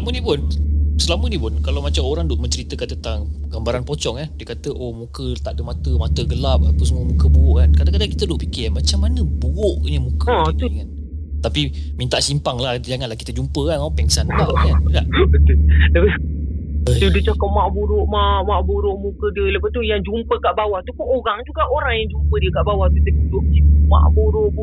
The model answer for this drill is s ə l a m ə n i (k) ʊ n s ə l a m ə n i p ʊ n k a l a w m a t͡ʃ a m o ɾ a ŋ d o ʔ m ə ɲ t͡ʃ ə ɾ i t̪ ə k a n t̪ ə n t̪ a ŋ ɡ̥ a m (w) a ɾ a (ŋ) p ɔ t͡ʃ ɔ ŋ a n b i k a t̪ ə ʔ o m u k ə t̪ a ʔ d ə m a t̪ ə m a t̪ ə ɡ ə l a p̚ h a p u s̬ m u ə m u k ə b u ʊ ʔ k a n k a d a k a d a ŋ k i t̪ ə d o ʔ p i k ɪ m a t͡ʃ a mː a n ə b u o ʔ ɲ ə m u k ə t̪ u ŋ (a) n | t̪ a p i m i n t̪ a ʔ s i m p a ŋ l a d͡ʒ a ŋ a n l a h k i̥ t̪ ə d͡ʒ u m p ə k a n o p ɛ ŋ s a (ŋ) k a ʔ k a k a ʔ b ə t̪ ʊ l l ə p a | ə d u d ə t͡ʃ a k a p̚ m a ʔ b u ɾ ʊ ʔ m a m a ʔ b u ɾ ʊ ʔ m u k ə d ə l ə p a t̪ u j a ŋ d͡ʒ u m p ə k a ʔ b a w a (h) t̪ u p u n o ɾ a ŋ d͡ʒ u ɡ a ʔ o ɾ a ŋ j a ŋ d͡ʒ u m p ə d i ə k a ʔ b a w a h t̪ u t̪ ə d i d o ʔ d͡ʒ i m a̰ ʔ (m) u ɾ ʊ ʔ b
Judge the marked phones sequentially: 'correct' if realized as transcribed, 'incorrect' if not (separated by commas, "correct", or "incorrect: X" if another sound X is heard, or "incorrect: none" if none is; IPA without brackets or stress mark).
incorrect: p, incorrect: b, incorrect: n, correct, incorrect: n, correct, incorrect: b